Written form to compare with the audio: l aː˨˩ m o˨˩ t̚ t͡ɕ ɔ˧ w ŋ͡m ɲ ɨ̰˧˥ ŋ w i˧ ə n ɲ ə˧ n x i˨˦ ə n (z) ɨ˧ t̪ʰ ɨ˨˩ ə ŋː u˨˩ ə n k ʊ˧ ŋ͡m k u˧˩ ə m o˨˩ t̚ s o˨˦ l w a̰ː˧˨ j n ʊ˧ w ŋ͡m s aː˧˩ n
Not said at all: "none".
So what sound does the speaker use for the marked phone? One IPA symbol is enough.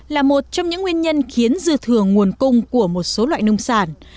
z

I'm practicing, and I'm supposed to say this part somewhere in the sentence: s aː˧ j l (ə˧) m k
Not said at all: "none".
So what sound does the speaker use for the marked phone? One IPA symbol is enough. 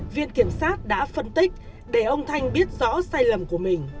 ə˨˩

